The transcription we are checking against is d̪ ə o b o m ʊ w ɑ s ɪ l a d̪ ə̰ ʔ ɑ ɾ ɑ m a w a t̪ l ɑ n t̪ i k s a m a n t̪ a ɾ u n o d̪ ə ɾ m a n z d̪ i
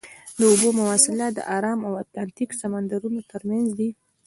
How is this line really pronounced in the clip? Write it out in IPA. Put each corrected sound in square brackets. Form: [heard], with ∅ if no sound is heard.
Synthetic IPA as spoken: d̪ ə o b o m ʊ w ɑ s ɪ l a d̪ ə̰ ʔ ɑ ɾ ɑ m a w a t̪ l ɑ n t̪ i k s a m a n [d̪] a ɾ u n o [t̪] ə ɾ m a n z d̪ i